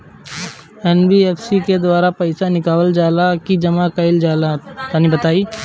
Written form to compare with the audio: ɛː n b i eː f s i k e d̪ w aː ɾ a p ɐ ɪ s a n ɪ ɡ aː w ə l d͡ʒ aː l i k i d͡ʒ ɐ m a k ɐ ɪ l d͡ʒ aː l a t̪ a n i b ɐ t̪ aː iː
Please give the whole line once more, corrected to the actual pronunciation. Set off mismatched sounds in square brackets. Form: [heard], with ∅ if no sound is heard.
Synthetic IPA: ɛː n b i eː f s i k e d̪ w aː ɾ a p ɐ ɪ s a n ɪ [k] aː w ə l d͡ʒ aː l [a] k i d͡ʒ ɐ m a k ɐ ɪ l d͡ʒ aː l a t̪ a n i b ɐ t̪ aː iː